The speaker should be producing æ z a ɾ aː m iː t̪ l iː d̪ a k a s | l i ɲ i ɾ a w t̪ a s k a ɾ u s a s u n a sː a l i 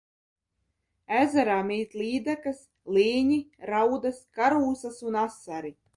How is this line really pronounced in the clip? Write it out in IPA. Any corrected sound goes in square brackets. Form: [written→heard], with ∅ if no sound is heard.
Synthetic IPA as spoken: æ z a ɾ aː m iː t̪ l iː d̪ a k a s | l [i→iː] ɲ i ɾ a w [t̪→d̪] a s k a ɾ [u→uː] s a s u n a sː a [l→ɾ] i